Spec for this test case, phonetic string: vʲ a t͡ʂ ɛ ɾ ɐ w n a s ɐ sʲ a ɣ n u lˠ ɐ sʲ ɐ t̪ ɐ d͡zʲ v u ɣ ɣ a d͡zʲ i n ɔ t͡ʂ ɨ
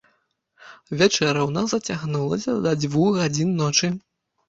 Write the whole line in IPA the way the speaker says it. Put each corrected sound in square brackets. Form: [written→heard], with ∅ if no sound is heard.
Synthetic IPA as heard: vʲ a t͡ʂ ɛ ɾ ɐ w n a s ɐ [sʲ→t͡sʲ] a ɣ n u lˠ ɐ sʲ ɐ [t̪→d̪] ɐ d͡zʲ v u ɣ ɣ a d͡zʲ i [n→nː] ɔ t͡ʂ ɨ